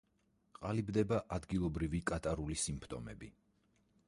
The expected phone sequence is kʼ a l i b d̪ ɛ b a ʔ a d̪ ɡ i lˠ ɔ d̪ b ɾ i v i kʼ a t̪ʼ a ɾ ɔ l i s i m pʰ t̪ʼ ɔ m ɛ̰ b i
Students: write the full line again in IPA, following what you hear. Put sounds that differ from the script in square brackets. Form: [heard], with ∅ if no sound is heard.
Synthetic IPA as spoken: [qʼ] a l i b d̪ ɛ b a ʔ a d̪ ɡ i lˠ ɔ [∅] b ɾ i v i kʼ a t̪ʼ a ɾ [u] l i s i m pʰ t̪ʼ ɔ m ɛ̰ b i